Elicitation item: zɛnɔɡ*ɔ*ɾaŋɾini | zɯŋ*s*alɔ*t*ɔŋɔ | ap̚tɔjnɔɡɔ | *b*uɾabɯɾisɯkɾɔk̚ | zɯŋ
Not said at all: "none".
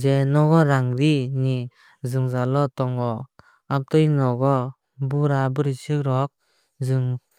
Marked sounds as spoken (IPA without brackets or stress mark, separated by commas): ɔ, z, t, b